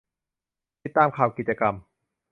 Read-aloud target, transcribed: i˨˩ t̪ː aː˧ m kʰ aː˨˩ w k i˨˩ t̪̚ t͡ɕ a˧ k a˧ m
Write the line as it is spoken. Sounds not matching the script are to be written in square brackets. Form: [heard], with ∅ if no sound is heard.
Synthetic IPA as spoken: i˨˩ t̪ː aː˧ m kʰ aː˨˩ w k i˨˩ t̪̚ t͡ɕ a˧ k a˧ m